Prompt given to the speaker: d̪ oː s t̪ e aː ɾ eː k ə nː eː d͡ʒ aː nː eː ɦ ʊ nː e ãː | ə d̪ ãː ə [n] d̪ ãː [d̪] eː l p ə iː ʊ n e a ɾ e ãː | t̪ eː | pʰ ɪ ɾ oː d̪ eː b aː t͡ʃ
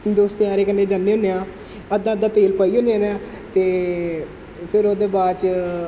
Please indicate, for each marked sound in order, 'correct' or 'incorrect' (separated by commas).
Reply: incorrect, incorrect